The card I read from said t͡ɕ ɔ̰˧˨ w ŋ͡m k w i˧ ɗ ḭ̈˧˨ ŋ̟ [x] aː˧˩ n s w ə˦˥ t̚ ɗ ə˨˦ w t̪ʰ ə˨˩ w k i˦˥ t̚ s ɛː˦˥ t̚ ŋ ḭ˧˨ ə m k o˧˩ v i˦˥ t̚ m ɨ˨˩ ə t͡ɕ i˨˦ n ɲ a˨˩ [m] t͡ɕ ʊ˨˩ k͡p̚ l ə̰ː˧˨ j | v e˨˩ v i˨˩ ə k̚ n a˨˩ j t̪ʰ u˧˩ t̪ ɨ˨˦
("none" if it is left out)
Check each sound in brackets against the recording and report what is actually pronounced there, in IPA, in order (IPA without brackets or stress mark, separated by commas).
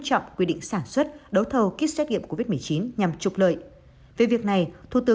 s, m